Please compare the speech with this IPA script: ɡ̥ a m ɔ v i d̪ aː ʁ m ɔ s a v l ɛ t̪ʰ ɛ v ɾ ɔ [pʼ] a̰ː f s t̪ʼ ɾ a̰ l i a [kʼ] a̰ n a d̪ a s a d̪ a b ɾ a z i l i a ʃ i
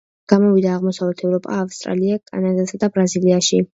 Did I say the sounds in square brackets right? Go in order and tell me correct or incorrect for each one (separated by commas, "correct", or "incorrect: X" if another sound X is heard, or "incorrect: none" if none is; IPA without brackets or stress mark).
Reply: correct, correct